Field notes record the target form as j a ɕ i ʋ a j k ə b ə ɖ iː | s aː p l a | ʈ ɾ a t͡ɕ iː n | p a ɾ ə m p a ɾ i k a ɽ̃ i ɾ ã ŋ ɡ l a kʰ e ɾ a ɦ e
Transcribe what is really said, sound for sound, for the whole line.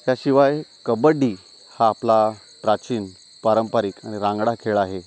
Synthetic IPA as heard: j a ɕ i ʋ a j k ə b ə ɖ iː | h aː p l a | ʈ ɾ a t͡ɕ iː n | p a ɾ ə m p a ɾ i k a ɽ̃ i ɾ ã ŋ ɡ ɽ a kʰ e ɭ a ɦ e

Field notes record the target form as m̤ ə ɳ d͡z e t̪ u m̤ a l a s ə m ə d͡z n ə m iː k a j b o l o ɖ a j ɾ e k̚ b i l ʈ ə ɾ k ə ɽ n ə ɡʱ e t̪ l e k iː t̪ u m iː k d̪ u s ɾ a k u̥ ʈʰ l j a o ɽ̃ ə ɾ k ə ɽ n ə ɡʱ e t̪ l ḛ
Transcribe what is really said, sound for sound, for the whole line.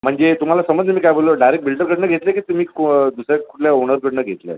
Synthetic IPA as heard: m̤ ə ɳ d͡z e t̪ u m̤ a l a s ə m ə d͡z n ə m iː k a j b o l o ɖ a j ɾ e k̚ b i l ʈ ə ɾ k ə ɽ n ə ɡʱ e t̪ l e k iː t̪ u m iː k d̪ u s ɾ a k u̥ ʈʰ l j a o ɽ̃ ə ɾ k ə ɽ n ə ɡʱ e t̪ l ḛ

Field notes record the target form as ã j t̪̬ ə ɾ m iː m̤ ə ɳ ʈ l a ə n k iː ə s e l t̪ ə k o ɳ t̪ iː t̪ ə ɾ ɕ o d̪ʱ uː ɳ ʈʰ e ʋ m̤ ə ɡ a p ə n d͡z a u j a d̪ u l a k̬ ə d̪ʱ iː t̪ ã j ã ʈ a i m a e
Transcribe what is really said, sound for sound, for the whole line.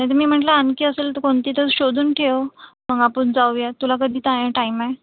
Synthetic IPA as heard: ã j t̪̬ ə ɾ m iː m̤ ə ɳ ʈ l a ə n k iː ə s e l t̪ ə k o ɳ t̪ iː t̪ ə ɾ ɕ o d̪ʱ uː n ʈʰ e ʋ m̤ ə ɡ a p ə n d͡z a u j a t̪ u l a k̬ ə d̪ʱ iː t̪ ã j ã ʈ a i m a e

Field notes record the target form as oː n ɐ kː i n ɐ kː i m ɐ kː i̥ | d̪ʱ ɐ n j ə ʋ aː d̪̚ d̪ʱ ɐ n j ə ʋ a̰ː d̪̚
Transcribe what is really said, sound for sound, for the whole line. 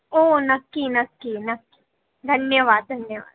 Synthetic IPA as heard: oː n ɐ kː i n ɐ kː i n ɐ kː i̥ | d̪ʱ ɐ n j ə ʋ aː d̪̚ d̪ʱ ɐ n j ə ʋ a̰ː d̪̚

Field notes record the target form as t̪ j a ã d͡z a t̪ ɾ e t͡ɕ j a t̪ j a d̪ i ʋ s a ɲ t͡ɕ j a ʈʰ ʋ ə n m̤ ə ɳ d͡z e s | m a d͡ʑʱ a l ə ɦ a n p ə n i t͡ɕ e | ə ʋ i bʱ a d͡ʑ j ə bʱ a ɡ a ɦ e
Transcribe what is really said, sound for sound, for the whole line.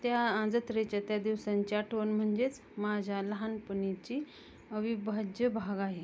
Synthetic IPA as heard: t̪ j a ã d͡z ə t̪ ɾ e t͡ɕ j a t̪ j a d̪ i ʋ s a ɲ t͡ɕ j a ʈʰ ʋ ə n m̤ ə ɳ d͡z e t͡s | m a d͡ʑʱ a l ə ɦ a n p ə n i t͡ɕ i | ə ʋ i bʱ a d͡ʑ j ə bʱ a ɡ a ɦ e

